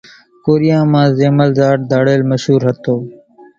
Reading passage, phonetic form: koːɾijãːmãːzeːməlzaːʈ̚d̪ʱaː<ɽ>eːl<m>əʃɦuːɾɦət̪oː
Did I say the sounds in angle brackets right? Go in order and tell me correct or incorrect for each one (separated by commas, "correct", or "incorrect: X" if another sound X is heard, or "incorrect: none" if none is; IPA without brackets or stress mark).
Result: correct, correct